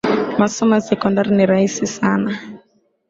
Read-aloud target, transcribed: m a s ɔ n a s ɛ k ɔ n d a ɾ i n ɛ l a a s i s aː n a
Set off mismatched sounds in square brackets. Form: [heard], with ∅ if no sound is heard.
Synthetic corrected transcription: m a s ɔ [m] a s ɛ k ɔ n d a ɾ i n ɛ [ɾ] a [i] s i s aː n a